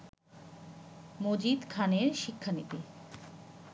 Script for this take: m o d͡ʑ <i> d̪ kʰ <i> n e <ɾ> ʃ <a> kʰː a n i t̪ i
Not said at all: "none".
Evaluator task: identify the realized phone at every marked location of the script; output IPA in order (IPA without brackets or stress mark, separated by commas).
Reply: i, a, ɾ, i